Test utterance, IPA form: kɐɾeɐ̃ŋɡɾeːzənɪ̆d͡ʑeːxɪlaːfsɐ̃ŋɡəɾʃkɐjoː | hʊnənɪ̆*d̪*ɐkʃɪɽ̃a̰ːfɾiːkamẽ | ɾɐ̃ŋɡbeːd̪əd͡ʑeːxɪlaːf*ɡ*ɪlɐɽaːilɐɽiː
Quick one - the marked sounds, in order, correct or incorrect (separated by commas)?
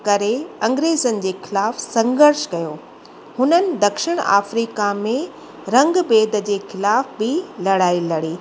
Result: correct, incorrect